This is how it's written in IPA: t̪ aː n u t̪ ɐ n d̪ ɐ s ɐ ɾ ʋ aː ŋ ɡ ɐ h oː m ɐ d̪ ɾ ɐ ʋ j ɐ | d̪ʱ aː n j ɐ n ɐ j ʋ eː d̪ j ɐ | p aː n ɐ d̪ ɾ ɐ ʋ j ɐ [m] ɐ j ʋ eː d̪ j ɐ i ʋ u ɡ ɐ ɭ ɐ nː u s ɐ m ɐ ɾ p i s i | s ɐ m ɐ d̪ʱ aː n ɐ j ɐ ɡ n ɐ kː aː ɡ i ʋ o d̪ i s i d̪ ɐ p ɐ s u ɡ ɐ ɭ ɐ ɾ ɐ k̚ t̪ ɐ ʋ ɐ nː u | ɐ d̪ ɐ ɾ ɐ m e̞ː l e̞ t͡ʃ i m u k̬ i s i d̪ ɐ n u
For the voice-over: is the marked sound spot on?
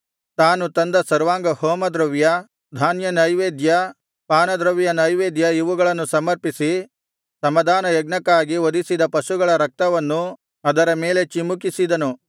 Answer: no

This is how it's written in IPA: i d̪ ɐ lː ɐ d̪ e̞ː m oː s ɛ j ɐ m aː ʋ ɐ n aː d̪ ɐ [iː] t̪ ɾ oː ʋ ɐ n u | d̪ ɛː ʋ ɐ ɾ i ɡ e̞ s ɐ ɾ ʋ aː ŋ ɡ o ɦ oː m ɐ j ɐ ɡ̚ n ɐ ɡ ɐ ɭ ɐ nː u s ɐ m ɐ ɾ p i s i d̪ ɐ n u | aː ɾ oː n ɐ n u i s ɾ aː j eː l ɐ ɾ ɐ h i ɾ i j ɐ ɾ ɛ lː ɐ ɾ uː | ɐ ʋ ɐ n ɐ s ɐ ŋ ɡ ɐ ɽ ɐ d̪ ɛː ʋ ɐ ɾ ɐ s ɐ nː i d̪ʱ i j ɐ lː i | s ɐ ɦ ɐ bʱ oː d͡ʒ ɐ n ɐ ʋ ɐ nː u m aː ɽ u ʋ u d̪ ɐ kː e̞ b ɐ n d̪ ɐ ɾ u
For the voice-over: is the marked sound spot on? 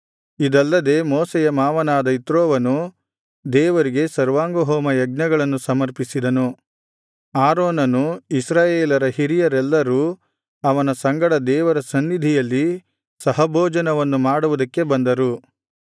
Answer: no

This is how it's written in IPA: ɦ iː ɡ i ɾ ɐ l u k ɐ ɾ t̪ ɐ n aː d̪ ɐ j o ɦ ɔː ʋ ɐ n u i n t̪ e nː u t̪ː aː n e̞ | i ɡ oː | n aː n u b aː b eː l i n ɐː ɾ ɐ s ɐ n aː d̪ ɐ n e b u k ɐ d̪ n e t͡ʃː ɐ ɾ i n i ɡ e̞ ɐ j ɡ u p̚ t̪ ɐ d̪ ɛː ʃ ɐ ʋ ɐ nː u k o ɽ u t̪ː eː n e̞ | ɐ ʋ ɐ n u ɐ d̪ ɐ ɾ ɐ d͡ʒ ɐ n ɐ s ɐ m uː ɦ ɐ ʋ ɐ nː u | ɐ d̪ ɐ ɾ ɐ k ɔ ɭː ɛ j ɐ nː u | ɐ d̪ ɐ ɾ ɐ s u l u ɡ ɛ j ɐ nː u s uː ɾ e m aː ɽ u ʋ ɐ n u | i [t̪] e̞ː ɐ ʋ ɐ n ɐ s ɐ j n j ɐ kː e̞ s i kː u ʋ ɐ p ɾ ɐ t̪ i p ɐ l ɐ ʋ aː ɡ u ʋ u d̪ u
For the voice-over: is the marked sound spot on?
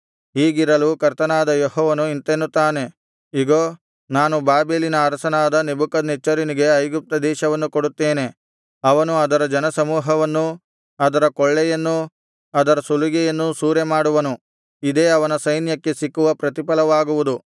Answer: no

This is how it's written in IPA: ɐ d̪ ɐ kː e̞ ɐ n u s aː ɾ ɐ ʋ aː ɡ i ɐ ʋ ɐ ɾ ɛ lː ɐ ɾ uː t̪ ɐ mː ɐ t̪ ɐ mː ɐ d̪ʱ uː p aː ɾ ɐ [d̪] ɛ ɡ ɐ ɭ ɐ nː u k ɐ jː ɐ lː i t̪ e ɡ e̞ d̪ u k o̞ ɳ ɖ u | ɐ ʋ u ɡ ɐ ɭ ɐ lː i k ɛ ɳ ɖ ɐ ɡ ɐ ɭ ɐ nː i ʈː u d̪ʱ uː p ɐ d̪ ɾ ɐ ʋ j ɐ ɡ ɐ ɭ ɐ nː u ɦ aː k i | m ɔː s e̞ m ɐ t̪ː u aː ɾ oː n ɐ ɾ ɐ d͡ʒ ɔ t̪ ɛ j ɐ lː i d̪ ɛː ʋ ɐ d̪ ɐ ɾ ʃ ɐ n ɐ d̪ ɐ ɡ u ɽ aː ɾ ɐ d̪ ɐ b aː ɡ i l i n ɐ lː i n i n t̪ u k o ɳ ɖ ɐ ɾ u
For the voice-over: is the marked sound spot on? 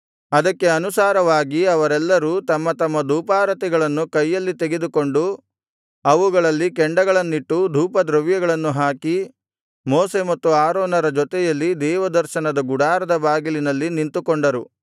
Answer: no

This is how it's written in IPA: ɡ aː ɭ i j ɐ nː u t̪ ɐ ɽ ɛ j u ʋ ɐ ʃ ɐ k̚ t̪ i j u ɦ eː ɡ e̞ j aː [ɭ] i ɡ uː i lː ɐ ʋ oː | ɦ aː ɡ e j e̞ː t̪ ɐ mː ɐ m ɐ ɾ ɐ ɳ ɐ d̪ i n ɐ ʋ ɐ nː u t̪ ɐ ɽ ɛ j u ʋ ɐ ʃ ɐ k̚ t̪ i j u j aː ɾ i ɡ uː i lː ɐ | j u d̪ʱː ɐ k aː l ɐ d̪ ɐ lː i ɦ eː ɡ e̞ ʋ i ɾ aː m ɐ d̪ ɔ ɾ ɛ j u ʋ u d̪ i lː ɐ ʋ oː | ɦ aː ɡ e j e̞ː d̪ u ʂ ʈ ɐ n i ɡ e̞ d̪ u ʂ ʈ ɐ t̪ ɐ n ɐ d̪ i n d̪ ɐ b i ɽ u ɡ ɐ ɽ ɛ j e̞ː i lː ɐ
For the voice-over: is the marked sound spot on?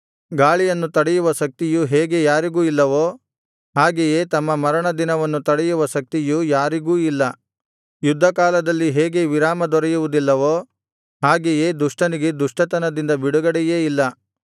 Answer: no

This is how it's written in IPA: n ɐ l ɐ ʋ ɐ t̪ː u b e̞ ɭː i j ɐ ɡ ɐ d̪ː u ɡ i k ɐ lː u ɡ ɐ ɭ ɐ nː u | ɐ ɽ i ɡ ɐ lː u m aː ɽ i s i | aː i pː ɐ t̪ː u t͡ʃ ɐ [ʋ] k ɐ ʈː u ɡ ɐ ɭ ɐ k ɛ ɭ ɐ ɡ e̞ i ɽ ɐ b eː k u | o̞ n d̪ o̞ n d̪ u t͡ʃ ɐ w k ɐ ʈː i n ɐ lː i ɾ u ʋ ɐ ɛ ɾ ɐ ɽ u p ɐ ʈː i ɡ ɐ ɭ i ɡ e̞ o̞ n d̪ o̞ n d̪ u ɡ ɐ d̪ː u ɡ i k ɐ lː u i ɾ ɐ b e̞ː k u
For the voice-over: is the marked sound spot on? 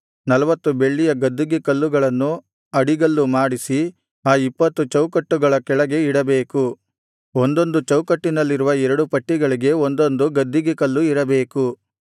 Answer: no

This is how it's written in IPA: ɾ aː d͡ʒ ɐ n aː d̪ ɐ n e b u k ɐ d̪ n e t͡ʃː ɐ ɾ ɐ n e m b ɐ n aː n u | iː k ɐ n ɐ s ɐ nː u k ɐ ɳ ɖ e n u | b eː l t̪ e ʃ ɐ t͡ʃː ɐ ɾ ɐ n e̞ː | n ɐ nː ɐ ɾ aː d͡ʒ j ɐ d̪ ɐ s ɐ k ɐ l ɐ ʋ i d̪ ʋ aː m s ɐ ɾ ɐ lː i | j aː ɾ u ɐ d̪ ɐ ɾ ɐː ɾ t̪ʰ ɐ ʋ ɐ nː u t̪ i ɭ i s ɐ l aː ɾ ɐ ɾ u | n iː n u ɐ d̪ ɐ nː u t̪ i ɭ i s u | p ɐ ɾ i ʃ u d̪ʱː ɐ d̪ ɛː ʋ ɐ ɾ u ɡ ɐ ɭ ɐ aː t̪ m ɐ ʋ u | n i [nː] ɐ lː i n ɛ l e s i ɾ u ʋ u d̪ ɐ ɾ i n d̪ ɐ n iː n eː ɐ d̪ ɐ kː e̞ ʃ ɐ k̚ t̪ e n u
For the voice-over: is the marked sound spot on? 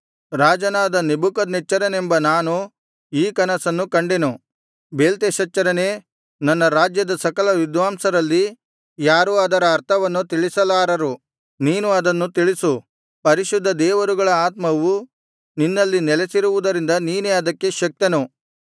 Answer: yes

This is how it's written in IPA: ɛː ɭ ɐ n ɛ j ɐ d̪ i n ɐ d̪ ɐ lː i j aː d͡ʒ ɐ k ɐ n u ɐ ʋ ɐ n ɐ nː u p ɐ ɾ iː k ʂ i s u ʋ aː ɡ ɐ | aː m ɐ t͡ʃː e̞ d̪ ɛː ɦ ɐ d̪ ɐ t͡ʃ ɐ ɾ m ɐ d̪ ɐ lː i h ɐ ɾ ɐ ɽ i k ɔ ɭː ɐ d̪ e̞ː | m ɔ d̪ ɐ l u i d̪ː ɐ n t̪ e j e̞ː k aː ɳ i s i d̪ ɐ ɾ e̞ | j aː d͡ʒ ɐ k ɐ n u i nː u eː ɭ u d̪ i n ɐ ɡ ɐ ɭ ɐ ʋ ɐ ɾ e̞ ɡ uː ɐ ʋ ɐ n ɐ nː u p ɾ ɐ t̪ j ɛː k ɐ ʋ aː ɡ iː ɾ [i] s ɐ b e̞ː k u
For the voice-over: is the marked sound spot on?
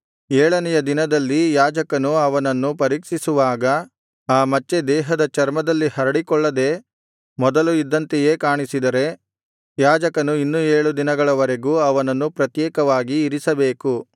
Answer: yes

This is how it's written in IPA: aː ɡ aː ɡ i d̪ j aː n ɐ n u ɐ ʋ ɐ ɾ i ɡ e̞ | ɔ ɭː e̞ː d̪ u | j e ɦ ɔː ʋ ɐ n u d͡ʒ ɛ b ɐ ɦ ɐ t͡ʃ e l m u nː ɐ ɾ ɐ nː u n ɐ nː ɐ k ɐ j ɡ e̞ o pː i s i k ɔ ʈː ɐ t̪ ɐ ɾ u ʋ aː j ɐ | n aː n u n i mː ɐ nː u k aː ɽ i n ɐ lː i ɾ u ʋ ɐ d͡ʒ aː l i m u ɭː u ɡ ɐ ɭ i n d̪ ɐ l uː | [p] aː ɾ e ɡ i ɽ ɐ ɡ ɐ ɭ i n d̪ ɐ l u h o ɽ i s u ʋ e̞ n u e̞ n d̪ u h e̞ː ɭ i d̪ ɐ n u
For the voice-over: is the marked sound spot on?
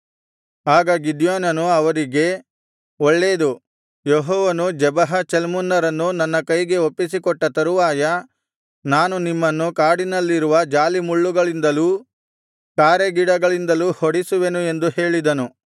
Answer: no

